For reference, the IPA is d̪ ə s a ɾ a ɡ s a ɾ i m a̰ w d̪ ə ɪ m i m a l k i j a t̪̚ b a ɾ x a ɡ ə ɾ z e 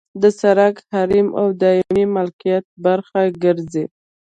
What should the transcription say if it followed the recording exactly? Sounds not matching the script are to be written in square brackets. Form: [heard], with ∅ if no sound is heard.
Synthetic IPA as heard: d̪ ə s a ɾ a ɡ [h] a ɾ i m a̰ w d̪ [ɑ] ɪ m i m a l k i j a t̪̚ b a ɾ x a ɡ ə ɾ z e